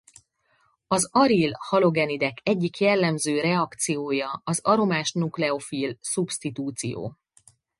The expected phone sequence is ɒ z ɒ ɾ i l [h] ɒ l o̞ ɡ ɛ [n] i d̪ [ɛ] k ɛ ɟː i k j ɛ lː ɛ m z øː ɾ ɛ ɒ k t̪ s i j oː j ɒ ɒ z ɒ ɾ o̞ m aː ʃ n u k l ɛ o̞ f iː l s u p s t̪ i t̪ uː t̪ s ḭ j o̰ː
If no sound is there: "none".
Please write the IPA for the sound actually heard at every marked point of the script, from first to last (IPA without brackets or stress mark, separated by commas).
h, n, ɛ